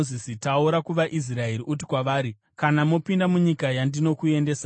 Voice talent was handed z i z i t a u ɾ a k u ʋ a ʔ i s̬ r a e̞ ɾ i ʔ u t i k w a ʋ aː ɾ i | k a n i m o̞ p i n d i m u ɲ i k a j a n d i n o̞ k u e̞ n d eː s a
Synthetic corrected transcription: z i s i t a u ɾ a k u ʋ a ʔ i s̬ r a e̞ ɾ i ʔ u t i k w a ʋ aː ɾ i | k a n a m o̞ p i n d a m u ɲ i k a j a n d i n o̞ k u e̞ n d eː s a